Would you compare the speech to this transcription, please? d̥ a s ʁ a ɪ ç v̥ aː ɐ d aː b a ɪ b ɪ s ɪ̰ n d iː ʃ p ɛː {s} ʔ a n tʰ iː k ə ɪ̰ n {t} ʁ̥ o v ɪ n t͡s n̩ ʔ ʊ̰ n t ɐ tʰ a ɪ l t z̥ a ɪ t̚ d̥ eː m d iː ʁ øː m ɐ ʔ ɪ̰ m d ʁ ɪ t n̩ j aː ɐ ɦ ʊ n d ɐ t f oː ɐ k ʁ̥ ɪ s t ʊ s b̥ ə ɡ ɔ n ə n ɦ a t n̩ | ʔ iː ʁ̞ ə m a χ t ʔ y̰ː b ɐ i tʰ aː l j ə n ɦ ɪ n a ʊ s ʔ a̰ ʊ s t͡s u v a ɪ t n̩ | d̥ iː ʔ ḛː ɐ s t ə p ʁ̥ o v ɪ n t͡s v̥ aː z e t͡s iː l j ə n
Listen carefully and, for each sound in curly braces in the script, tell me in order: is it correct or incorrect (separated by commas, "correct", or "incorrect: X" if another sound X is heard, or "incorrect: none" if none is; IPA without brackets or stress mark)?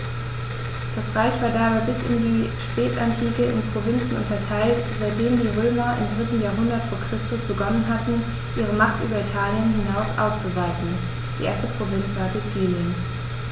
incorrect: t, incorrect: p